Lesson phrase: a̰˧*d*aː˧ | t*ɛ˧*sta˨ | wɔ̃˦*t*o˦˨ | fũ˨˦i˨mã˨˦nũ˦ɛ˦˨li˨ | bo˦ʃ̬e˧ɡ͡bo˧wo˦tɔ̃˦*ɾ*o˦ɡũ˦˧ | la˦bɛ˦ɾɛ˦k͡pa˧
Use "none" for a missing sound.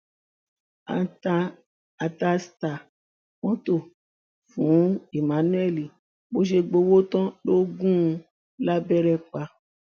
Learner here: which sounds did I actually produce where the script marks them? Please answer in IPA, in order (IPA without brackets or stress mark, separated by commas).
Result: t, a˧, t, l